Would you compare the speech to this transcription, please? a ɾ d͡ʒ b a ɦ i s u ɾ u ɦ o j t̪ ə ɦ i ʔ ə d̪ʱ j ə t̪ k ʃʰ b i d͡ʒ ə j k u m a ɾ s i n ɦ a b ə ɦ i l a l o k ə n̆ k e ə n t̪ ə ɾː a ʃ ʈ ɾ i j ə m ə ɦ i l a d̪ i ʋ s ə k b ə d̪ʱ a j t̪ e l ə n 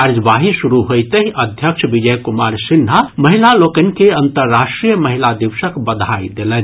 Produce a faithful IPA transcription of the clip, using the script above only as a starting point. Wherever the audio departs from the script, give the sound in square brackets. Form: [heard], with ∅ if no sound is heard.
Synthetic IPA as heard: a ɾ d͡ʒ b a ɦ i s u ɾ u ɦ o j t̪ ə ɦ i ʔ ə d̪ʱ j ə [∅] k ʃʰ b i d͡ʒ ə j k u m a ɾ s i n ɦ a [m] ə ɦ i l a l o k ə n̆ k e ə n t̪ ə ɾː a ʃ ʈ ɾ i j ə m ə ɦ i l a d̪ i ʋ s ə k b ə d̪ʱ a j [d̪] e l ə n